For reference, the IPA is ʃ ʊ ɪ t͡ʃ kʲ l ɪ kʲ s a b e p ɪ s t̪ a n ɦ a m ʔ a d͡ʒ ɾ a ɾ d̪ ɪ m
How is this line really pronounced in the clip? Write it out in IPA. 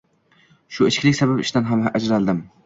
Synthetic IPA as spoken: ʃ ʊ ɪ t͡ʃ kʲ l ɪ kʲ s a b a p ɪ ʃ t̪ a n ɦ a m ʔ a d͡ʒ ɾ a l d̪ ɪ m